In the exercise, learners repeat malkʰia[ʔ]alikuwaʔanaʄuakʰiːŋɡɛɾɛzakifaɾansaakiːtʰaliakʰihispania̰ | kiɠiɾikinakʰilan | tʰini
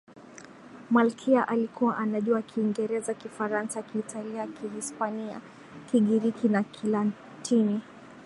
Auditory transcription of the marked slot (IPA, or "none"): ʔ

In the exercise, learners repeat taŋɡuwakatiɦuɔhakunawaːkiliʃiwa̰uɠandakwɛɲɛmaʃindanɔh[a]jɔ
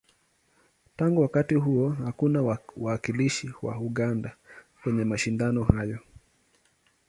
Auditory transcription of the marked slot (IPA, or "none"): a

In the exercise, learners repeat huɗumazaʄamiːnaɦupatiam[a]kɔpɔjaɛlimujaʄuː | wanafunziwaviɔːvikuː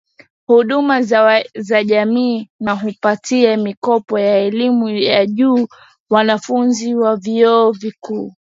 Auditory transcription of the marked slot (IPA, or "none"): i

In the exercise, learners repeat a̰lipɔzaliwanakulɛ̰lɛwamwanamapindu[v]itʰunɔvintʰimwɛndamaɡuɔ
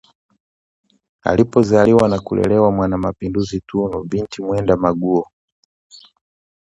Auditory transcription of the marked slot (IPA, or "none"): z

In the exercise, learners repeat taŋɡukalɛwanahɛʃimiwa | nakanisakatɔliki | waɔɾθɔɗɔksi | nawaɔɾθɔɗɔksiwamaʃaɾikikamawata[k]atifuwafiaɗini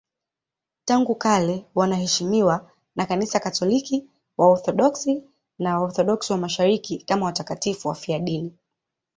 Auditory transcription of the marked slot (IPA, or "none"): k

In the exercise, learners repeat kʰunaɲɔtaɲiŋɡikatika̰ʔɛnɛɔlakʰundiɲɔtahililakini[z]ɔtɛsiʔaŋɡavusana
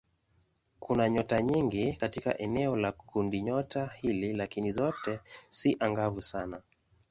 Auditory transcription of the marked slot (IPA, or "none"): z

